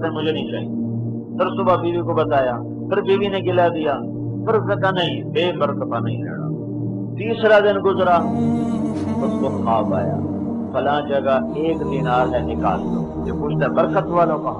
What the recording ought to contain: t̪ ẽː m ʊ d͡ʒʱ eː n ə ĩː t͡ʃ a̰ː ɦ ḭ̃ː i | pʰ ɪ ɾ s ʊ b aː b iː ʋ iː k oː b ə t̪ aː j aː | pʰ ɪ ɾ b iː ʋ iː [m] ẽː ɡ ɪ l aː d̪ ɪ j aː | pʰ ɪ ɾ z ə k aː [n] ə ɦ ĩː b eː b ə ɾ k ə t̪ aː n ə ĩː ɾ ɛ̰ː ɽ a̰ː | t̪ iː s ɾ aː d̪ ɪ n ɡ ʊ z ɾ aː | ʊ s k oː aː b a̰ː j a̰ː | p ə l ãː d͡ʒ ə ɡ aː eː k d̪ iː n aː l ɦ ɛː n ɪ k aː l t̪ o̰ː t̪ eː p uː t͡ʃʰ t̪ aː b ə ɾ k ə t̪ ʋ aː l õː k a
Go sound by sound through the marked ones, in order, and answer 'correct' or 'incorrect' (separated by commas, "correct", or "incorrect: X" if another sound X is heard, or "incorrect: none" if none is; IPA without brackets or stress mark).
incorrect: n, correct